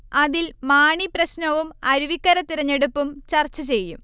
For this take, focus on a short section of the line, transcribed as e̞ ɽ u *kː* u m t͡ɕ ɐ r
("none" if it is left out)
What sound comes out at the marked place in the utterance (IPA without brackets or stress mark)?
pː